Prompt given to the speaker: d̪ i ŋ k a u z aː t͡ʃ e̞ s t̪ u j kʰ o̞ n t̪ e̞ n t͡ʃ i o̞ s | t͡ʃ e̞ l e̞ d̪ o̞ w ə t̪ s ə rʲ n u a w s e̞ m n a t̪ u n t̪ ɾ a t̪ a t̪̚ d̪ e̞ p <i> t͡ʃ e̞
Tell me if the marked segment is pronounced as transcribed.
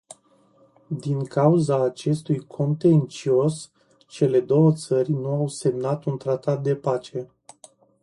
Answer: no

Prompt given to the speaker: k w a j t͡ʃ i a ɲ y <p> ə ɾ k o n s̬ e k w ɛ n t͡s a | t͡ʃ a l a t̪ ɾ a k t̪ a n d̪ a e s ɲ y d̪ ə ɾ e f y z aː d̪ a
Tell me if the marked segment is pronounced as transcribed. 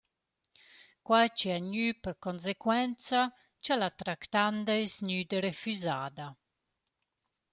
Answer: yes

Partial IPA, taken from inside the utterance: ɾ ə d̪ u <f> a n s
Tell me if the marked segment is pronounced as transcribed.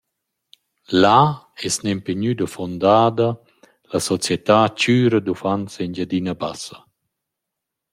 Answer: yes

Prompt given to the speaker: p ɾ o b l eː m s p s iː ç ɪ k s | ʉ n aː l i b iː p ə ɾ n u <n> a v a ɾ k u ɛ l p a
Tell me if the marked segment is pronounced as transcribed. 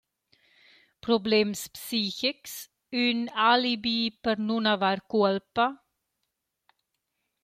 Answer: yes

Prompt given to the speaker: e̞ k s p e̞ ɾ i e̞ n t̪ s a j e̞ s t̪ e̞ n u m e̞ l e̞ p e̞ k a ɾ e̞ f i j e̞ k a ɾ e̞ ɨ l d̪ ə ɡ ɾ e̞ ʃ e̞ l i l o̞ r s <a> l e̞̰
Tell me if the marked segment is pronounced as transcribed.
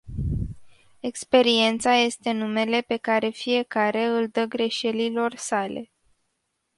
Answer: yes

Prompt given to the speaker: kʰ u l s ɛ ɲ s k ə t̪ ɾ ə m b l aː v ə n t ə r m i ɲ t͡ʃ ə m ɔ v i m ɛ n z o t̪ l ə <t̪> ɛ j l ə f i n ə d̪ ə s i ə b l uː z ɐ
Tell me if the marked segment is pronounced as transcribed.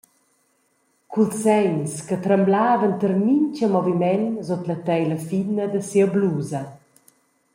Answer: yes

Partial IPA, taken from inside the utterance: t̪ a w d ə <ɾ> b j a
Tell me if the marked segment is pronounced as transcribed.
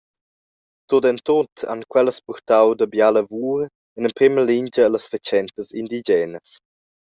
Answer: no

